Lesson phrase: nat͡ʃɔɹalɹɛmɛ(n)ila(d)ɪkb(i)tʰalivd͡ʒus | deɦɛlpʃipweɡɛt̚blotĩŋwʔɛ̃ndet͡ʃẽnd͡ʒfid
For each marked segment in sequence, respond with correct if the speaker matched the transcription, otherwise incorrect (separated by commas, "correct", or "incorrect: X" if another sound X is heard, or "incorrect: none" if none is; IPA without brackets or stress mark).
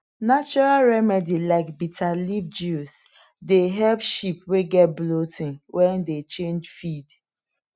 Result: incorrect: d, incorrect: none, correct